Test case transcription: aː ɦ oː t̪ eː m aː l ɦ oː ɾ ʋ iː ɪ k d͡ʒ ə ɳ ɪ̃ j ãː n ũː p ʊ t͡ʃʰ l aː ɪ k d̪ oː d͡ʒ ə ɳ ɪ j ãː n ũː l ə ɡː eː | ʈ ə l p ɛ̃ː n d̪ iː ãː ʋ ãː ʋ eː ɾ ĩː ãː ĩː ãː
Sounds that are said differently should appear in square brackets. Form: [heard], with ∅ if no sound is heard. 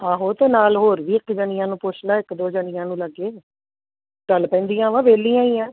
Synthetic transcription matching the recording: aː ɦ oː t̪ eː [n] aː l ɦ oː ɾ ʋ iː ɪ k d͡ʒ ə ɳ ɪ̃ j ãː n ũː p ʊ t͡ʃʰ l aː ɪ k d̪ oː d͡ʒ ə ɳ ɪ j ãː n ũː l ə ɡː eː | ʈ ə l p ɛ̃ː n d̪ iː ãː ʋ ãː ʋ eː [l] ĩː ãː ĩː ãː